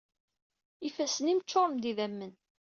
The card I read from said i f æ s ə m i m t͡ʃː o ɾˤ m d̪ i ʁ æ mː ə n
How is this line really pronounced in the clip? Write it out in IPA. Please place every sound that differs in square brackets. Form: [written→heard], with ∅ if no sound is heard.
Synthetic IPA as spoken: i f æ s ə [m→n] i m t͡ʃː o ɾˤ m d̪ i [ʁ→ð] æ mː ə n